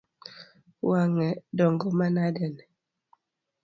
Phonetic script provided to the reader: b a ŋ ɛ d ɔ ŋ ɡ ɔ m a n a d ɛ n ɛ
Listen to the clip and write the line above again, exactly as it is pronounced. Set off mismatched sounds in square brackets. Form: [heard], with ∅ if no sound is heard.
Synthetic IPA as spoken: [w] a ŋ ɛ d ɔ ŋ ɡ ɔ m a n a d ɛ n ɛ